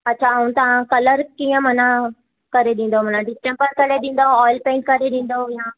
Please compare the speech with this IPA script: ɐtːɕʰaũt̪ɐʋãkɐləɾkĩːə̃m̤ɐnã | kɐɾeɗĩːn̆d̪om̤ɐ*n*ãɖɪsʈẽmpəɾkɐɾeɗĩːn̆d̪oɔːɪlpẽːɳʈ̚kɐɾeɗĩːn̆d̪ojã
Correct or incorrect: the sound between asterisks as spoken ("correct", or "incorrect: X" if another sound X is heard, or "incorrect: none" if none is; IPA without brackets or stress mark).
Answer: correct